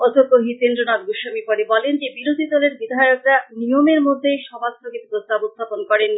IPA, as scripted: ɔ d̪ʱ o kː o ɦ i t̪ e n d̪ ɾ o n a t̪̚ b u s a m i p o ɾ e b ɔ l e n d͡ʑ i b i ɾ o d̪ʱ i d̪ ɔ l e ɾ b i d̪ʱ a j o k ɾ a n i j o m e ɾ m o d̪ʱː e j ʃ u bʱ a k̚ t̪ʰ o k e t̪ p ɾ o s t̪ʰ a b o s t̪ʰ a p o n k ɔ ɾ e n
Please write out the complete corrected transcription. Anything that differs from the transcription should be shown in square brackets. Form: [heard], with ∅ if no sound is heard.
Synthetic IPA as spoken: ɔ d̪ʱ o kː o ɦ i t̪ e n d̪ ɾ o n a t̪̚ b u [ʃ] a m i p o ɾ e b ɔ l e n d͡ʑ [e] b i ɾ o d̪ʱ i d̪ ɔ l e ɾ b i d̪ʱ a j o k ɾ a n i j o m e ɾ m o d̪ʱː e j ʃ [ɔ] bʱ a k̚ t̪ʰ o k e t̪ p ɾ o s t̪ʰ a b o s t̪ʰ a p o n k ɔ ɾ e n